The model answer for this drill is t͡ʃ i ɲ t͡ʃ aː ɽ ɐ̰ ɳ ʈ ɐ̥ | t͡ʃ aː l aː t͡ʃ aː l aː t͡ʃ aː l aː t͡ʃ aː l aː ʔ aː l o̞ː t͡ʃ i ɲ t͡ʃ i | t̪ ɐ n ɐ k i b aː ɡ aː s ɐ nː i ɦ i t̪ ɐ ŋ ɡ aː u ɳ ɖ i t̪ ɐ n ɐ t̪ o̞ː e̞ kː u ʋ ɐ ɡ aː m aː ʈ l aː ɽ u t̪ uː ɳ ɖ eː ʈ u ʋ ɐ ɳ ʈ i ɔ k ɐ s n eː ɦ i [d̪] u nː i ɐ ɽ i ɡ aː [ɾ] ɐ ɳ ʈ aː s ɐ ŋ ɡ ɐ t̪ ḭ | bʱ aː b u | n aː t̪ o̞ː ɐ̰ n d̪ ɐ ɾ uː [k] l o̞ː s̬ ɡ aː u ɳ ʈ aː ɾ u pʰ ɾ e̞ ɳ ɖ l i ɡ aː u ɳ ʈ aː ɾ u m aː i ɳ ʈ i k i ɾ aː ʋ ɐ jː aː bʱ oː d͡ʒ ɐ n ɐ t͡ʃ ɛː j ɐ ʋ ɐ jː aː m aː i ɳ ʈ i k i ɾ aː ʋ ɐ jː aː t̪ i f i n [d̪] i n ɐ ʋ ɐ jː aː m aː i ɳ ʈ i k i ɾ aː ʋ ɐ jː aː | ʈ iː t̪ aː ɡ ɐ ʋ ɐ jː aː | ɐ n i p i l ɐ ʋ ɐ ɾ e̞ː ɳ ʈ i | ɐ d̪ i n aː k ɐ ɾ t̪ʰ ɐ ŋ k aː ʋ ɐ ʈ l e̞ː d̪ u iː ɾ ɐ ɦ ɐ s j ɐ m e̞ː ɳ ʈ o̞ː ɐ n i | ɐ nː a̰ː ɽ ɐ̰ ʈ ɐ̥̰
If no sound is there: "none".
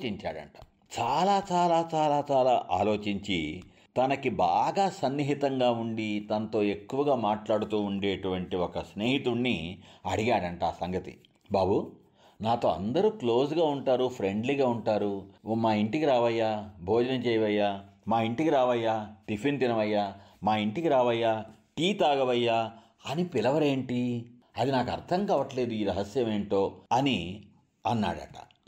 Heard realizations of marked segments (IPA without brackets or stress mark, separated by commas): t̪, ɽ, k, t̪